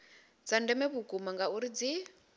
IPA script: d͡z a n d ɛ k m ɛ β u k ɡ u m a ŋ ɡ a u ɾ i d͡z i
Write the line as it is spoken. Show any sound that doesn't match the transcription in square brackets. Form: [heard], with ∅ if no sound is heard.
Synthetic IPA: d͡z a n d ɛ [∅] m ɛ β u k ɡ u m a ŋ ɡ a u ɾ i d͡z i